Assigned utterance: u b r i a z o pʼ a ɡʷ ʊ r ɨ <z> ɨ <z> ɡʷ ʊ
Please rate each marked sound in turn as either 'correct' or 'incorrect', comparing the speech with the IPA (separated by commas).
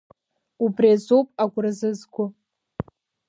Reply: correct, correct